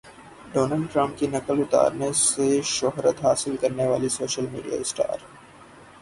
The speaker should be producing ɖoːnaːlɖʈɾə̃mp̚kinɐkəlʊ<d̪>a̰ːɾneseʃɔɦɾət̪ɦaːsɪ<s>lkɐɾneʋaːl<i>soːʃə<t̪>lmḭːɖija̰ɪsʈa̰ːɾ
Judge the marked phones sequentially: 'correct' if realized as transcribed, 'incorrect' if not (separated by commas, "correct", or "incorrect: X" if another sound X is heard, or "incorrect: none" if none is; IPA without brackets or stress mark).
incorrect: t̪, incorrect: none, correct, incorrect: none